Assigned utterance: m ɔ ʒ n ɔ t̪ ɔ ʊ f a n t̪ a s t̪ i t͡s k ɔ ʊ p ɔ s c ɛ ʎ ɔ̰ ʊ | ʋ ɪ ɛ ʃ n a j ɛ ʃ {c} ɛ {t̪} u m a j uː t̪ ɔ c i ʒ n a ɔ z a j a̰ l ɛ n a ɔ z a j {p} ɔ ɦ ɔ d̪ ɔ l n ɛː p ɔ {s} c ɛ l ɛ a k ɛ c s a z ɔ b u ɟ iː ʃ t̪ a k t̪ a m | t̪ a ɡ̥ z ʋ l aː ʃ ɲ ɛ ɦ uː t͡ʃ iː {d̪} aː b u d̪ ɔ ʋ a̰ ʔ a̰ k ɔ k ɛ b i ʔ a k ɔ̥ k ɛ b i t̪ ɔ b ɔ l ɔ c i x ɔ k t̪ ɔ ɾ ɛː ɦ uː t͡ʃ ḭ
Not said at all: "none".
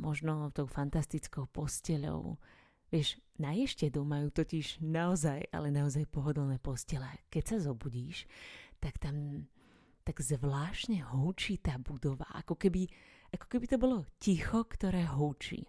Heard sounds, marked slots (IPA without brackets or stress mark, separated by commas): c, d̪, p, s, t̪